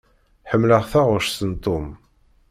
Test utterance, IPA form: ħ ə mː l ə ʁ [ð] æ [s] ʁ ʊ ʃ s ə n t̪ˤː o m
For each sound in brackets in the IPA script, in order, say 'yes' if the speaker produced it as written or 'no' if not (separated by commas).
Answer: no, no